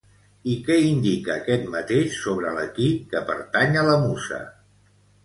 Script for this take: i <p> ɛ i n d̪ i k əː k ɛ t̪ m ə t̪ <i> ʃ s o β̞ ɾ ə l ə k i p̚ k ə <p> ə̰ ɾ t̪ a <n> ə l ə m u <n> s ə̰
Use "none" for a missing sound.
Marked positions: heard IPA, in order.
k, e, p, ɲ, none

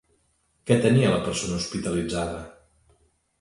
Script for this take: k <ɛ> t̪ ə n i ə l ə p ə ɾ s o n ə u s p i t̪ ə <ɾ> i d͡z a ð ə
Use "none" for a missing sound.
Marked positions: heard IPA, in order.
ɛ, l

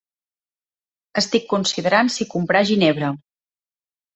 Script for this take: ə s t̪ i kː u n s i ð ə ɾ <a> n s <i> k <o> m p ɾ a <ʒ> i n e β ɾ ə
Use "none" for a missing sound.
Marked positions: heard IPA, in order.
a, i, u, ʒ

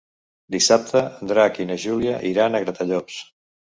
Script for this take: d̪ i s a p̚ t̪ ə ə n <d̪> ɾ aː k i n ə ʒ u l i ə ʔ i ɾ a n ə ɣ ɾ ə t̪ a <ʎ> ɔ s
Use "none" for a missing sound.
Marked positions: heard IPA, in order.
d̪, ʎ

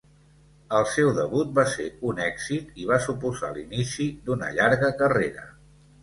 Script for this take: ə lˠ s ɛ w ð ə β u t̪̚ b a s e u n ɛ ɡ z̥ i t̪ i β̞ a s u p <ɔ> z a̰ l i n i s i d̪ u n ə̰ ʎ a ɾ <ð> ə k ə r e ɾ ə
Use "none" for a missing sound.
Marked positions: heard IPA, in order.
u, ɣ

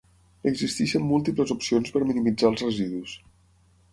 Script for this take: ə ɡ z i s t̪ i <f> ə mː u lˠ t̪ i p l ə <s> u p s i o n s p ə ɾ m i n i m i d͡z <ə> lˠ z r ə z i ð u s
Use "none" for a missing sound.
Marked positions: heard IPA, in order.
ʃ, z, a

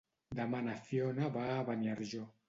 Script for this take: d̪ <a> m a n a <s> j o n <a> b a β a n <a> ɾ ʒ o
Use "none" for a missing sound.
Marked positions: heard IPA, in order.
a, f, a, a

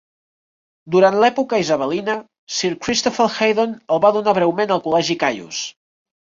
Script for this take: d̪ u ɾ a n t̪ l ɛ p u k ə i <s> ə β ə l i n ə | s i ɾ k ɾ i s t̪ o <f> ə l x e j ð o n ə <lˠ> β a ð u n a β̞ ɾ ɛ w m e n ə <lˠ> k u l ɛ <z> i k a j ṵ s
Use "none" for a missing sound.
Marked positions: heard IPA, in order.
z, f, lˠ, lˠ, ʒ

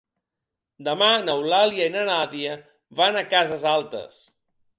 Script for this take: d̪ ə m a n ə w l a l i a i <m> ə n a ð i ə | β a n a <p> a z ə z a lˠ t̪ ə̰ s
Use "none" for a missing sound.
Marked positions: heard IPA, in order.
n, k

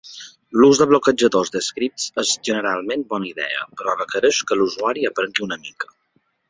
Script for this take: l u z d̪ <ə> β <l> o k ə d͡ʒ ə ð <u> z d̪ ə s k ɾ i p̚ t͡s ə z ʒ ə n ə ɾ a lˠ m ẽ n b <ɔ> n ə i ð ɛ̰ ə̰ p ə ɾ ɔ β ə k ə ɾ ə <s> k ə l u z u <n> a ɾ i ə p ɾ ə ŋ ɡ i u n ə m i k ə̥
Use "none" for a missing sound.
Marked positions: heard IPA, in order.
ə, l, o, ɔ, ʃ, none

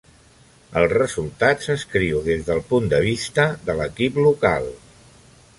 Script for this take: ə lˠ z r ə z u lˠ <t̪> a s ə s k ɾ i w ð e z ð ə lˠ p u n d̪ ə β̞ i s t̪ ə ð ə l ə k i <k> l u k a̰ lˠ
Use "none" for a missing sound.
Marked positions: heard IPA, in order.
t̪, p

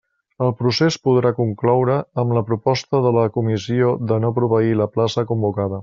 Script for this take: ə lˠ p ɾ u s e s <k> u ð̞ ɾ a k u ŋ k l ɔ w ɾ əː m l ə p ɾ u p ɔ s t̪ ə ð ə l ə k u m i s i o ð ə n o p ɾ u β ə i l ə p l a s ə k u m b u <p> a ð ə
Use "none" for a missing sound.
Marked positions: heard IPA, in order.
p, k

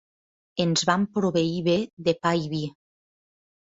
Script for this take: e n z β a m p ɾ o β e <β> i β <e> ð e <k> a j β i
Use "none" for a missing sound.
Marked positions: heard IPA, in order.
none, e, p

